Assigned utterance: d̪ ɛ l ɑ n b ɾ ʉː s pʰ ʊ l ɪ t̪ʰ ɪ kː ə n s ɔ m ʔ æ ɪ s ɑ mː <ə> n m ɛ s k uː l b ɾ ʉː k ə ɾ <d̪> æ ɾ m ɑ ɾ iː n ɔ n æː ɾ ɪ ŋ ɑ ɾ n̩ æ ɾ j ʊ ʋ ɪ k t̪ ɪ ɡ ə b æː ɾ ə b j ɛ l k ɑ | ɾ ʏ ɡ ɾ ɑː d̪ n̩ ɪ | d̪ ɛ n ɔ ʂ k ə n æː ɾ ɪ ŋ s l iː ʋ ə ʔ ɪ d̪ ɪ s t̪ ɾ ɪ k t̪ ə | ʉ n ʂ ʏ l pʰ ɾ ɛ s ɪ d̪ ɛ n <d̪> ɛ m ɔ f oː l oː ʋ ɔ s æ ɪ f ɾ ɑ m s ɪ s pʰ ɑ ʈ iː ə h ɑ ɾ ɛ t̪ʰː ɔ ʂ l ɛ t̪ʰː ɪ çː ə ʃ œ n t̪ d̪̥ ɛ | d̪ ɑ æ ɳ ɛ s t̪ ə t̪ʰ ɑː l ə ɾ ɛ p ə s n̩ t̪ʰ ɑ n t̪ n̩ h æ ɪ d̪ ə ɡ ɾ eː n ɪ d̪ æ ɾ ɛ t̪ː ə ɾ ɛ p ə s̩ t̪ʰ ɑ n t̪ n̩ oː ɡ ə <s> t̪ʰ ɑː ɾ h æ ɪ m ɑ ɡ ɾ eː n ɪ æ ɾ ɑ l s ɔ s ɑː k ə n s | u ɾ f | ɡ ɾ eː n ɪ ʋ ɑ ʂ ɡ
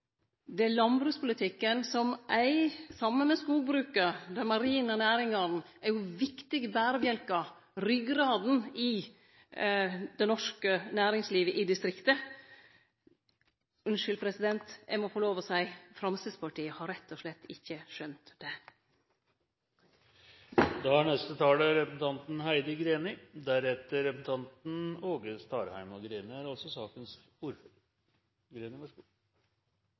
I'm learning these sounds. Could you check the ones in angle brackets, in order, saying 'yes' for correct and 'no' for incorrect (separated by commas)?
yes, yes, no, yes